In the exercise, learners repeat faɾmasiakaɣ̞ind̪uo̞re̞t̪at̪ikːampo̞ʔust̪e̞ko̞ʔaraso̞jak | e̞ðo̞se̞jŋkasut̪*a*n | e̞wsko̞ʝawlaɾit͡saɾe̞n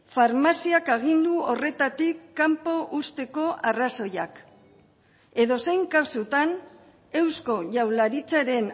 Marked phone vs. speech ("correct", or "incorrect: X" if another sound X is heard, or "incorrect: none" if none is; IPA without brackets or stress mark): correct